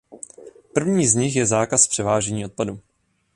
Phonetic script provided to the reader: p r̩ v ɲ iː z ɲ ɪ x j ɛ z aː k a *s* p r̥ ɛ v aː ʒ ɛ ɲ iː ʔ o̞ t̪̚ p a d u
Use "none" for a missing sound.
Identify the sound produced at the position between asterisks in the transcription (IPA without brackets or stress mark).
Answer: s